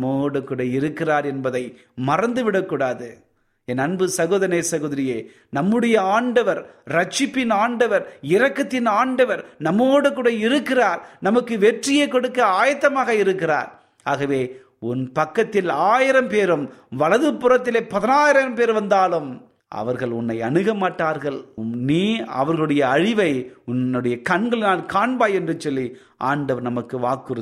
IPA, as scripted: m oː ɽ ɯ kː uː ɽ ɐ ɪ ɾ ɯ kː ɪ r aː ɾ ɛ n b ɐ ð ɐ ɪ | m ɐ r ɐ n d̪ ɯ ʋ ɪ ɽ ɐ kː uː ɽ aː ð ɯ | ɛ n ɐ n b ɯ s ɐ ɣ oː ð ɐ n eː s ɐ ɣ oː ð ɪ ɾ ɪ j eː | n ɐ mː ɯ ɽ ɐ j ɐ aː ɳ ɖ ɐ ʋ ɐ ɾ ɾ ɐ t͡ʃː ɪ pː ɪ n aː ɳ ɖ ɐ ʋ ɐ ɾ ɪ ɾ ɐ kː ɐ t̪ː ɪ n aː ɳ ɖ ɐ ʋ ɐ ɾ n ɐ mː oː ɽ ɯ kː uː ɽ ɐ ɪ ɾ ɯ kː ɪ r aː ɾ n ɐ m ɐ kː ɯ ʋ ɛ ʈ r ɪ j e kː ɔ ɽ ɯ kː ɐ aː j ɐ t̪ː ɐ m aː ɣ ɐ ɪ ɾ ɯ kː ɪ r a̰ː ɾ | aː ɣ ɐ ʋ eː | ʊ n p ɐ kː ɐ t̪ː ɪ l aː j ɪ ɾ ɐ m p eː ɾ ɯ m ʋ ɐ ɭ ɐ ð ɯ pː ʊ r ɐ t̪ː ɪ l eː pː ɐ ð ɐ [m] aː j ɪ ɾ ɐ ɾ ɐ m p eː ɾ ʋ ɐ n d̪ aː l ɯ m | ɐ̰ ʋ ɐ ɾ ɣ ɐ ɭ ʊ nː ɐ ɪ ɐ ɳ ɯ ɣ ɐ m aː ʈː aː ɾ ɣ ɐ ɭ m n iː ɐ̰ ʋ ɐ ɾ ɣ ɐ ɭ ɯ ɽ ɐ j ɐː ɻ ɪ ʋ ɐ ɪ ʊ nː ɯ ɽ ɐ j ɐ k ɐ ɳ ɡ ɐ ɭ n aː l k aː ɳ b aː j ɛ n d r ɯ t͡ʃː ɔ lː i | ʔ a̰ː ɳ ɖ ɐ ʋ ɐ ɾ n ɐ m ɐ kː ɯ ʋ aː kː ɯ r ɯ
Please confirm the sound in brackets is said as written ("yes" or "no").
no